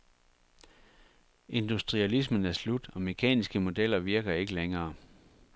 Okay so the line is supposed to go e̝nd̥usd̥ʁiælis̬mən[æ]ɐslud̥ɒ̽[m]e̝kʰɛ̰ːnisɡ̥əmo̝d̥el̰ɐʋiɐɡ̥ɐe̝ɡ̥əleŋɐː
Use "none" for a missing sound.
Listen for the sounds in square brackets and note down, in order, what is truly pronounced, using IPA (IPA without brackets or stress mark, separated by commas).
æ, m